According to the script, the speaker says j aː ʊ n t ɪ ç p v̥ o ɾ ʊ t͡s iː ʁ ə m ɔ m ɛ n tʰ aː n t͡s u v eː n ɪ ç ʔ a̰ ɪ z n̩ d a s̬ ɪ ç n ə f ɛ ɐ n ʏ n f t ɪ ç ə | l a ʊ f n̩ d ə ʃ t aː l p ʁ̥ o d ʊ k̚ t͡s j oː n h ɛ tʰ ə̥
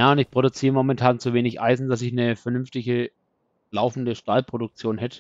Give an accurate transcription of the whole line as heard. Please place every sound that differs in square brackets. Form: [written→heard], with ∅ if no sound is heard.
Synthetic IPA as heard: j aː ʊ n t ɪ ç p [v̥→ʁ̥] o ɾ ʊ t͡s iː ʁ ə m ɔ m ɛ n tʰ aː n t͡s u v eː n ɪ ç ʔ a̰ ɪ z n̩ d a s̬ ɪ ç n ə f ɛ ɐ n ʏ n f t ɪ ç ə | l a ʊ f n̩ d ə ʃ t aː l p ʁ̥ o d ʊ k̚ t͡s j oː n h ɛ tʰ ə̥